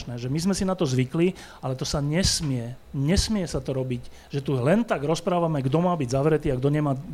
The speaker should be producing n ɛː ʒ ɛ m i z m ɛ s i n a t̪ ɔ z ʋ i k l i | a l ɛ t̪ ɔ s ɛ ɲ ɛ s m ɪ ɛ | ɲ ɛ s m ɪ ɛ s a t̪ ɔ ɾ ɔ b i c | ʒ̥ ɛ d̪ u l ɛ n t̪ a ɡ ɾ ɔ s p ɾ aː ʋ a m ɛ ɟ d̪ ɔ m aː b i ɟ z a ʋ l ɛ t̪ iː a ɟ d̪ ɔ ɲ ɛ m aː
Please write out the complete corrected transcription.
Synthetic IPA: n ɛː ʒ ɛ m i z m ɛ s i n a t̪ ɔ z ʋ i k l i | a l ɛ t̪ ɔ s a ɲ ɛ s m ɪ ɛ | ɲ ɛ s m ɪ ɛ s a t̪ ɔ ɾ ɔ b i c | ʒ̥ ɛ t̪ u l ɛ n t̪ a ɡ ɾ ɔ s p ɾ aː ʋ a m ɛ ɡ d̪ ɔ m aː b i ɟ z a ʋ ɾ ɛ t̪ iː a ɡ d̪ ɔ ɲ ɛ m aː